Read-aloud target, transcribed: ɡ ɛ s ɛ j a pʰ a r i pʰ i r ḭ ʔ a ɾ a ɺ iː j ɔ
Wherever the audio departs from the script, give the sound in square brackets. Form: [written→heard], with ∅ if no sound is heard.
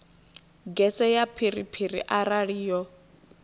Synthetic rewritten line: ɡ ɛ s ɛ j a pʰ [a→i] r i pʰ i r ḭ ʔ a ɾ a ɺ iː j ɔ